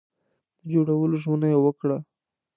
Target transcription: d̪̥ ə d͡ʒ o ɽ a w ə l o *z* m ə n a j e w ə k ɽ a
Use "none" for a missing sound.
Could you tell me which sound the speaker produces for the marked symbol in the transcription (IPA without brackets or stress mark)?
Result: ʒ